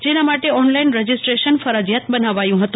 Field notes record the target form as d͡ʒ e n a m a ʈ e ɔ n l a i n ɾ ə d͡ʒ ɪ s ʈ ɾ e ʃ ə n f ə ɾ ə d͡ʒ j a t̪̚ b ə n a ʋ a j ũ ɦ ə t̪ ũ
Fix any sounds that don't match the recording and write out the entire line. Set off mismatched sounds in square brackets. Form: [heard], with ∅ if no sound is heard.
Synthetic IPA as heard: d͡ʒ e n a m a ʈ e ɔ n l a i n ɾ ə d͡ʒ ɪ s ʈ ɾ e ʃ ə n f ə ɾ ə d͡ʒ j a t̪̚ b ə n a ʋ a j ũ ɦ ə t̪ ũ